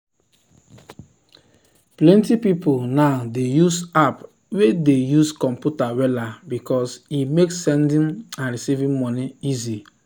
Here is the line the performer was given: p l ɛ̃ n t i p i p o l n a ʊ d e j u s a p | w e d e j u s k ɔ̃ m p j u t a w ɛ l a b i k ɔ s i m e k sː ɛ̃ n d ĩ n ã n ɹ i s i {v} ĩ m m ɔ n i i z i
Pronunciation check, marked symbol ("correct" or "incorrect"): correct